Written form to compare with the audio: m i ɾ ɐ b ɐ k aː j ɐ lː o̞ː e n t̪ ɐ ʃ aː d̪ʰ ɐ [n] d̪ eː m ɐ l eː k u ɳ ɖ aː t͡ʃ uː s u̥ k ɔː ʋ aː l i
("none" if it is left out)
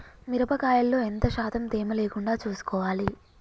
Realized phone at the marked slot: m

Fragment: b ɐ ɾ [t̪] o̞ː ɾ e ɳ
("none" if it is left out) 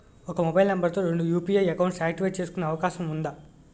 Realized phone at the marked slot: t̪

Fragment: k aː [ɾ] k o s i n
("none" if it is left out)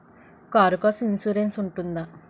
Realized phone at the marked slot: ɾ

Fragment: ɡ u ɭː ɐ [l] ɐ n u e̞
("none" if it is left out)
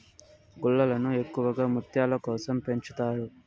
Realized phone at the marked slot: l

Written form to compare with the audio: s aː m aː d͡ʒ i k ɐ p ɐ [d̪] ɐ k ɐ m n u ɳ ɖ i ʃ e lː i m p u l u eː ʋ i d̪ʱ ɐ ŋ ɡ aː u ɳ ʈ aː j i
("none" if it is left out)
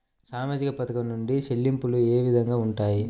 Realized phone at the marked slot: t̪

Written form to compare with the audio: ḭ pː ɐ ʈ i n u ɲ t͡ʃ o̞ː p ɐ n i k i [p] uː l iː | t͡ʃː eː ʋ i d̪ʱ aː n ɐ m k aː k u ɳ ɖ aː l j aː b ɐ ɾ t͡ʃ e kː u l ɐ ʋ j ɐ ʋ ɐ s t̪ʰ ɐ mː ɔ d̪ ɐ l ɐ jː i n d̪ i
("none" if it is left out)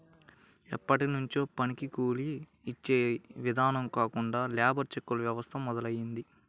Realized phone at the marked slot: k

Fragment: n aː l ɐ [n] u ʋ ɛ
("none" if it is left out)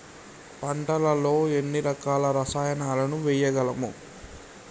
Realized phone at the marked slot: n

